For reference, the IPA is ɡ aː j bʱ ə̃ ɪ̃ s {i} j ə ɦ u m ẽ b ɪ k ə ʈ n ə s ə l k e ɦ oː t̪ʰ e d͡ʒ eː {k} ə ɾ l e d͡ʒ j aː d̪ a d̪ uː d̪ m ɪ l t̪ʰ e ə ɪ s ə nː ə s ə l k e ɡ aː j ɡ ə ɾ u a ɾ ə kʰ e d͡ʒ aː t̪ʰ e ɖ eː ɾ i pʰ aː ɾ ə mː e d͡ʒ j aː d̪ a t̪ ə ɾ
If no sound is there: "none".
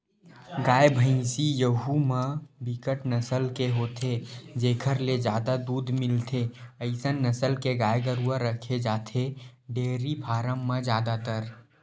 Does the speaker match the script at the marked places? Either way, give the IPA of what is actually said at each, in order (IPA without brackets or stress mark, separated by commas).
i, kʰ